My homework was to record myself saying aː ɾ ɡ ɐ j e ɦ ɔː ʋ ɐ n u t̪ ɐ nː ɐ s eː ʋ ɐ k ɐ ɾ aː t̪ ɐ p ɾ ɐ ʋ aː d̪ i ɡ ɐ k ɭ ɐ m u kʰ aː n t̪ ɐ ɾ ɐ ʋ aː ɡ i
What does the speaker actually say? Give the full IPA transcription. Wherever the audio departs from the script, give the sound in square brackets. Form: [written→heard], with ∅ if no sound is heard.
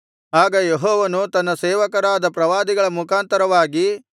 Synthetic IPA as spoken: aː [ɾ→∅] ɡ ɐ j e ɦ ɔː ʋ ɐ n u t̪ ɐ nː ɐ s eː ʋ ɐ k ɐ ɾ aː [t̪→d̪] ɐ p ɾ ɐ ʋ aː d̪ i ɡ ɐ [k→∅] ɭ ɐ m u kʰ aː n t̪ ɐ ɾ ɐ ʋ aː ɡ i